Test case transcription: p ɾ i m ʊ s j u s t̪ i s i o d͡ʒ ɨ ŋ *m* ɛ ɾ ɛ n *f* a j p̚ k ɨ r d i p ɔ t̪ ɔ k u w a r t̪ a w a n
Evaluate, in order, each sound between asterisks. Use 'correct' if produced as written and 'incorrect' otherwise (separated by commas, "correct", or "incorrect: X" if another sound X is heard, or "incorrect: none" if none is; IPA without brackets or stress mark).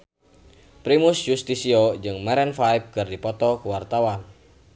correct, correct